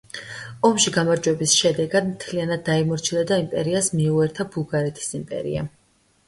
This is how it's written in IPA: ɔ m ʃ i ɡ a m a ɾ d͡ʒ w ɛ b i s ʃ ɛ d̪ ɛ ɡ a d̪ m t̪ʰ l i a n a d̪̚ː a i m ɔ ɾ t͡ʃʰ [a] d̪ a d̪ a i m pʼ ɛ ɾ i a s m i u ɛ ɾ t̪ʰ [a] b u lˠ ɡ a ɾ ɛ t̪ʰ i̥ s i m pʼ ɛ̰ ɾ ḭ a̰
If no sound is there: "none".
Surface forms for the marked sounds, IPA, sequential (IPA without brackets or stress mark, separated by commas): i, a